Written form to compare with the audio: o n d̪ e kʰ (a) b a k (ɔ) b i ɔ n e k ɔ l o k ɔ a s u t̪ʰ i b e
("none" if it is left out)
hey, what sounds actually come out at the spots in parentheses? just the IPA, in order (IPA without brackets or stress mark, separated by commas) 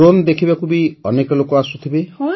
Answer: i, u